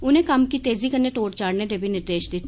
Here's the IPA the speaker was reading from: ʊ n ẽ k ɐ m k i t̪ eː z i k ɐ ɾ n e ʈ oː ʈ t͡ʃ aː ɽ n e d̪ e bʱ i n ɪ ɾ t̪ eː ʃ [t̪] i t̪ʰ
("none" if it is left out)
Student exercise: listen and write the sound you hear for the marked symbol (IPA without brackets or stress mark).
d̪